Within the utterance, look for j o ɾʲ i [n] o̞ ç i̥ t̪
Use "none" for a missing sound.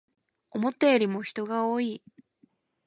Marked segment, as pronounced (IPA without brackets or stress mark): m